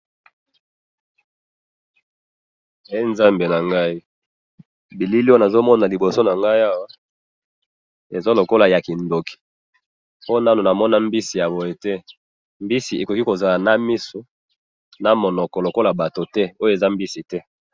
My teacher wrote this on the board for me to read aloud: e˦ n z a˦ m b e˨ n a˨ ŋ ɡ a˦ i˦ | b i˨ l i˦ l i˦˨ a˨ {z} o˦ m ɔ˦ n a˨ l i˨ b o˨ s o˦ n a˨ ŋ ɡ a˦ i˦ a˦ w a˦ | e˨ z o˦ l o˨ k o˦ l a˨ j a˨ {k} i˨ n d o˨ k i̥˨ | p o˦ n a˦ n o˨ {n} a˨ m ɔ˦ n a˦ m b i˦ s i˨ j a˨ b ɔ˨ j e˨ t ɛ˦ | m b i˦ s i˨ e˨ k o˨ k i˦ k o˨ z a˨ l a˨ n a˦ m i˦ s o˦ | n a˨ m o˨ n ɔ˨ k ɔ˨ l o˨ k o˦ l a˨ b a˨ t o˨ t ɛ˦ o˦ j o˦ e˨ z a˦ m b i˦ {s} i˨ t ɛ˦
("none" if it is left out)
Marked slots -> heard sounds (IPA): z, k, n, s

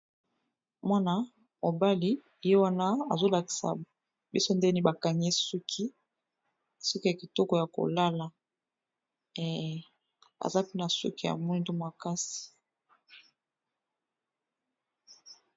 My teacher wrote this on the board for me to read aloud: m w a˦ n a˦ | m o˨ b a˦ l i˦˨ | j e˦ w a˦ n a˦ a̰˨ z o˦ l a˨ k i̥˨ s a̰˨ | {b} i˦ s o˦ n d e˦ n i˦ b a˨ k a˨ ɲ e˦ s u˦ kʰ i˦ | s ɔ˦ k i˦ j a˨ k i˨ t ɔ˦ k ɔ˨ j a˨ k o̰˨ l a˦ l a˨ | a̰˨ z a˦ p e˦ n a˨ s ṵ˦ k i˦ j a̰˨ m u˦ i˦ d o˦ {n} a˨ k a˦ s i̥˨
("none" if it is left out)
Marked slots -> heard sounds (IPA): b, m

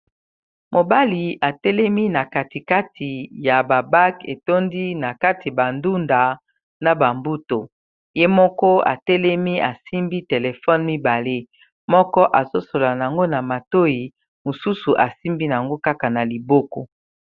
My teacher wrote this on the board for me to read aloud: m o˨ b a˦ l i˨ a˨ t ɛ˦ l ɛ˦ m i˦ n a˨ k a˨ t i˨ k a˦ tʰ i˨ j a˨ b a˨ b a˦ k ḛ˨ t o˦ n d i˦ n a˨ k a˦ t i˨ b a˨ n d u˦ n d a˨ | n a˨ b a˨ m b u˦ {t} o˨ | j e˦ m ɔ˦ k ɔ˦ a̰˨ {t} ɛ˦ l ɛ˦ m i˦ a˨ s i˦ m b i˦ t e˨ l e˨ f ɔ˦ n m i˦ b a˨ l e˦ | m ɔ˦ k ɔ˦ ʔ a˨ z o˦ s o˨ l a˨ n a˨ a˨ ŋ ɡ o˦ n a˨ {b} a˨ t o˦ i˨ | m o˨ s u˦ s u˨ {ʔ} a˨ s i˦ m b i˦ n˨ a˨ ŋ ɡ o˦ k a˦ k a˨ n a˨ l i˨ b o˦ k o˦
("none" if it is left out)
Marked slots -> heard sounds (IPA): t, t, m, ʔ

